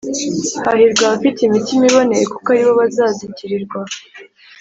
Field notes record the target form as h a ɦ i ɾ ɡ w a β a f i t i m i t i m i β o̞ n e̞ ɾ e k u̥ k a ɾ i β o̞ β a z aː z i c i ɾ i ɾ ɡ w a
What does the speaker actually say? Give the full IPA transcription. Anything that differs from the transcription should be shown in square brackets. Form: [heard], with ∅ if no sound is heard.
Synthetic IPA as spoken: h a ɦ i ɾ ɡ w a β a f i t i m i t i m i β o̞ n e̞ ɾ e k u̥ k a ɾ i β o̞ β a z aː z i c i ɾ i ɾ ɡ w a